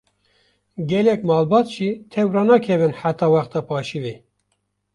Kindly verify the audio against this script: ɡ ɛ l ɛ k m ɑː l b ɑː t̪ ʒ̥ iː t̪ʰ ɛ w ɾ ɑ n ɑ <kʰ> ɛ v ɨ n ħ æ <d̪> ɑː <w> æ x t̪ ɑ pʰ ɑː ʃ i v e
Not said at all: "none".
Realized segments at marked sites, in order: kʰ, t̪, w

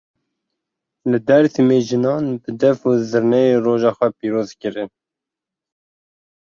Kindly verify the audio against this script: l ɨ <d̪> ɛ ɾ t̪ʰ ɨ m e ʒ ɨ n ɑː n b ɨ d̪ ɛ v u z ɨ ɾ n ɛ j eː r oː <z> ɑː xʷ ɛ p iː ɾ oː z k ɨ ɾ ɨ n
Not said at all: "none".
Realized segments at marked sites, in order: d̪, ʒ

